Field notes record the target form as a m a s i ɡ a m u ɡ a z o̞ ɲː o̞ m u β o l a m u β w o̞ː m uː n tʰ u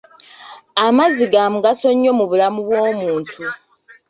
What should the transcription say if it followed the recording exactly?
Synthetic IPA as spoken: a m a z i ɡ a m u ɡ a s o̞ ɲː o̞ m u β u l a m u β w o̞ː m uː n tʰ u